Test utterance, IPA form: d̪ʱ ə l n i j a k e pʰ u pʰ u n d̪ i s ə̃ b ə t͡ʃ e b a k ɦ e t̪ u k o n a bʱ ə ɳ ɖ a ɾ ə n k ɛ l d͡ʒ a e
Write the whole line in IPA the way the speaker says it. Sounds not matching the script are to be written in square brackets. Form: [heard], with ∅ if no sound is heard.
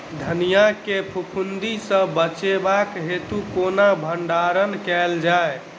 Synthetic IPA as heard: d̪ʱ ə [∅] n i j a k e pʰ u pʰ u n d̪ i s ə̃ b ə t͡ʃ e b a k ɦ e t̪ u k o n a bʱ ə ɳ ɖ a ɾ ə n k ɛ l d͡ʒ a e

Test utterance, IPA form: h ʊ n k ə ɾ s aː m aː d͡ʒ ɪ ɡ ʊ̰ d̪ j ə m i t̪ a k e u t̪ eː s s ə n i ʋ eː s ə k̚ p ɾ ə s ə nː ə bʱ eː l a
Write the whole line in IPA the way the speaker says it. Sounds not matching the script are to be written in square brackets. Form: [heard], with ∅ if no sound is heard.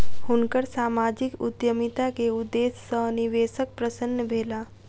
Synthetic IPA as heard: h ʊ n k ə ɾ s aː m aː d͡ʒ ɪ [k] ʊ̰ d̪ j ə m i t̪ a k e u [d̪] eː s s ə n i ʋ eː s ə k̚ p ɾ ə s ə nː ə bʱ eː l a

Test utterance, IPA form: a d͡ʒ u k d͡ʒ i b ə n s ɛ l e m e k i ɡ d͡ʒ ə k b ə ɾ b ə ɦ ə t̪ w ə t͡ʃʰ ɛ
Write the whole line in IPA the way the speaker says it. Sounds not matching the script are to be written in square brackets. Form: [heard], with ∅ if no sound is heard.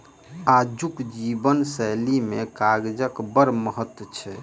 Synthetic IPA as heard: a d͡ʒ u k d͡ʒ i b ə n s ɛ l [i] m e k [a] ɡ d͡ʒ ə k b ə ɾ [m] ə ɦ ə t̪ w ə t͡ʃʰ ɛ

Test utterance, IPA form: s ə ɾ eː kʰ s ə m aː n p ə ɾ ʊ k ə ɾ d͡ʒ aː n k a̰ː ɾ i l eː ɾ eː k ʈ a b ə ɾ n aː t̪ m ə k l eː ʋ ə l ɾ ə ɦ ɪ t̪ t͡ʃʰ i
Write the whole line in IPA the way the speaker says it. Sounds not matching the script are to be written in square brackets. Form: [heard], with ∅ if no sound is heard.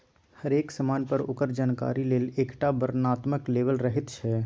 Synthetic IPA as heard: [h] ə ɾ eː [k] s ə m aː n p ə ɾ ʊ k ə ɾ d͡ʒ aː n k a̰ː ɾ i l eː [l] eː k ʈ a b ə ɾ n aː t̪ m ə k l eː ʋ ə l ɾ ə ɦ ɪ t̪ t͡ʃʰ [ɛ]

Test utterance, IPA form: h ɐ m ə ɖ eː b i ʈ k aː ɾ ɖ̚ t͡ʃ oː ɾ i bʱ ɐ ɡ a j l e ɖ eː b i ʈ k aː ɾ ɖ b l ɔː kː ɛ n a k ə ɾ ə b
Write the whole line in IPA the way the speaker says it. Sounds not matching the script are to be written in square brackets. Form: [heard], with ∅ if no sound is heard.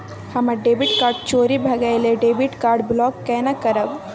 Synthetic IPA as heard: h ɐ m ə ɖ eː b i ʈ k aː ɾ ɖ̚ t͡ʃ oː ɾ i bʱ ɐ ɡ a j l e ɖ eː b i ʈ k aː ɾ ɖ b l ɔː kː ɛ n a k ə ɾ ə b

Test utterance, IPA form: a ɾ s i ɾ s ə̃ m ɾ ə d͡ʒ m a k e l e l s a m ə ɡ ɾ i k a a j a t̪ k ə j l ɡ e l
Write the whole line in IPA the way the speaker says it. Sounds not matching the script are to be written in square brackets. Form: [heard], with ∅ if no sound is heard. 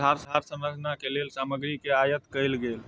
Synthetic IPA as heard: a ɾ s [a] ɾ s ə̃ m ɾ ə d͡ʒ [n] a k e l e l s a m ə ɡ ɾ i k [e] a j [ə] t̪ k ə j l ɡ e l

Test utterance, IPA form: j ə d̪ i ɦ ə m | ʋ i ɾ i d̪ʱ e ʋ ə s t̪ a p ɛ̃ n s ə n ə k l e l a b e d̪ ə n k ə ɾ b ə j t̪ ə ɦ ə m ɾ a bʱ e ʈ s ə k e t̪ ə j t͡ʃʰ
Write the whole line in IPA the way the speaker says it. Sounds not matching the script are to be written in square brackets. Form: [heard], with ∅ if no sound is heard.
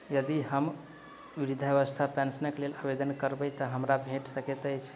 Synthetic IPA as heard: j ə d̪ i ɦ ə m | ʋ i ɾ i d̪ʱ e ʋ ə s [t̪ʰ] a p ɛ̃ n s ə n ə k l e l a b e d̪ ə n k ə ɾ b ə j t̪ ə ɦ ə m ɾ a bʱ e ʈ s ə k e t̪ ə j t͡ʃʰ

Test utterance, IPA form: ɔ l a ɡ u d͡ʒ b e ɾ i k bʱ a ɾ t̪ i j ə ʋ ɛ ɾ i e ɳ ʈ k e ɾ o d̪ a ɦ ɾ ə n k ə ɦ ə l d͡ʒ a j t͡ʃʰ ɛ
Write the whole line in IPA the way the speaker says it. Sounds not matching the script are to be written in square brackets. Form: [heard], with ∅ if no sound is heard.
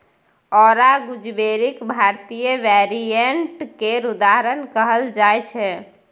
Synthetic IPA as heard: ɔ [ɾ] a ɡ u d͡ʒ b e ɾ i k bʱ a ɾ t̪ i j ə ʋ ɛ ɾ i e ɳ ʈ k e ɾ [u] d̪ a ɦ ɾ ə n k ə ɦ ə l d͡ʒ a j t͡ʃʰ ɛ

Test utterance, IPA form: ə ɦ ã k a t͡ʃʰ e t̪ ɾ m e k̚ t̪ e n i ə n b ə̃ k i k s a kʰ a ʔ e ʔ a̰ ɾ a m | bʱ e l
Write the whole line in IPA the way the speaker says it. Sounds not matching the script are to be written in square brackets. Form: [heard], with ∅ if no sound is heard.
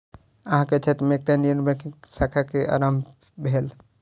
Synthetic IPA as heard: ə ɦ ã k [e] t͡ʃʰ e t̪ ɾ m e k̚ t̪ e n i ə n b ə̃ k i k s a kʰ a [k] e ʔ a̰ ɾ a m | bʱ e l

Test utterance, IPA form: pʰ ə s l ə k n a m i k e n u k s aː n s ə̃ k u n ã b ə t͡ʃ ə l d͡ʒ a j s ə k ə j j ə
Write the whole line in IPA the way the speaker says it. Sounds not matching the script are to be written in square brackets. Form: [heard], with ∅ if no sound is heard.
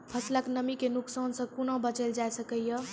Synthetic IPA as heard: pʰ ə s l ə k n [ə] m i k e n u k s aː n s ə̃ k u n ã b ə t͡ʃ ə l d͡ʒ a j s ə k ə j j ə

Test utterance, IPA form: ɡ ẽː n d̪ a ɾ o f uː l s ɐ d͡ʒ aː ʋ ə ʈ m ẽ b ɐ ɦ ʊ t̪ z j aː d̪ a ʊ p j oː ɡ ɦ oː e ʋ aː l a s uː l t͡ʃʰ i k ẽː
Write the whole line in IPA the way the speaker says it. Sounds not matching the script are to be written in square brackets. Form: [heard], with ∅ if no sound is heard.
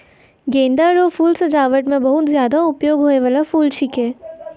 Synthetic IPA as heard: ɡ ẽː n d̪ a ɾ o f uː l s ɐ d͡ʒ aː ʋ ə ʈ m ẽ b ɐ ɦ ʊ t̪ z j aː d̪ a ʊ p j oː ɡ ɦ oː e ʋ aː l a [f] uː l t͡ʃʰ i k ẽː

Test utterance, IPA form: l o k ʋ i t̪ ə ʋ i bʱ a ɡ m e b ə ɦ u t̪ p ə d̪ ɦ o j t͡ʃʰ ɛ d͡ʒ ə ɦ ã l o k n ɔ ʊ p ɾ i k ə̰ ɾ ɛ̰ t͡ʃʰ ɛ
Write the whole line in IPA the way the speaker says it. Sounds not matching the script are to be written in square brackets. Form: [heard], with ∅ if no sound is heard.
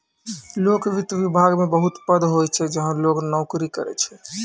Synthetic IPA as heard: l o k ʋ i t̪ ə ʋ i bʱ a ɡ m e b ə ɦ u t̪ p ə d̪ ɦ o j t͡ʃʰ ɛ d͡ʒ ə ɦ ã l o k n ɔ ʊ [k] ɾ i k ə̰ ɾ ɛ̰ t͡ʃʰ ɛ

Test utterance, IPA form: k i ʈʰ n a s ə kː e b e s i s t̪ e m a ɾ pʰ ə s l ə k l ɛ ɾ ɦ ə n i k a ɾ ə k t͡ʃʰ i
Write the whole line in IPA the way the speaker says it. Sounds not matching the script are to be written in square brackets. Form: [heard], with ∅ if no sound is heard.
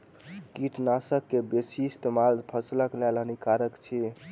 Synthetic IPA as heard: k i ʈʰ n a s ə kː e b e s i s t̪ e m a [l] pʰ ə s l ə k l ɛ [l] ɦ ə n i k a ɾ ə k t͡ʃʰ i

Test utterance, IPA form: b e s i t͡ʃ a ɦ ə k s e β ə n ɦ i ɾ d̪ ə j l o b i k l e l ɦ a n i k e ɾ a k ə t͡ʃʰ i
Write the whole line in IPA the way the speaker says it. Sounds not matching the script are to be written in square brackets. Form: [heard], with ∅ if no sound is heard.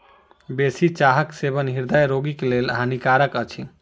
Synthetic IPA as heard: b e s i t͡ʃ a ɦ ə k s e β ə n ɦ i ɾ d̪ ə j [ɾ] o [ɡ] i k l e l ɦ a n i k [a] ɾ [ə] k ə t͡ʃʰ i

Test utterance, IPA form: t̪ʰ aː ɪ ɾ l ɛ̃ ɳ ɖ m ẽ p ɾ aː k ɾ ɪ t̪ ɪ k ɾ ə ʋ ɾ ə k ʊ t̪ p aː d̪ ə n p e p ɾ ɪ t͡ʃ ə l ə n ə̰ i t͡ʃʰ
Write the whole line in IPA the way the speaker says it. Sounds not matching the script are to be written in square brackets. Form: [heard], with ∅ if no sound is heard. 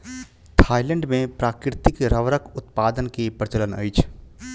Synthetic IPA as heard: t̪ʰ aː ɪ [∅] l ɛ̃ ɳ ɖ m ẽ p ɾ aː k ɾ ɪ t̪ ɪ k ɾ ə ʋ ɾ ə k ʊ t̪ p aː d̪ ə n [k] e p ɾ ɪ t͡ʃ ə l ə n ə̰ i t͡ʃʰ

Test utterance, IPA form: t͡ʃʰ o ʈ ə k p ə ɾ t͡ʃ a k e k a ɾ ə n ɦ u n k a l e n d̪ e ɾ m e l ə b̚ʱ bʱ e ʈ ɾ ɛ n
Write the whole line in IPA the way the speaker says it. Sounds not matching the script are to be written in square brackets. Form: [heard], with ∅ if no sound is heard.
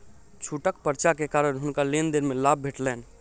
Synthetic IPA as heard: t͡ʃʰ [u] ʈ ə k p ə ɾ t͡ʃ a k e k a ɾ ə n ɦ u n k a l e n d̪ e ɾ m e l [a] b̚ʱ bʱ e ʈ [l] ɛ n

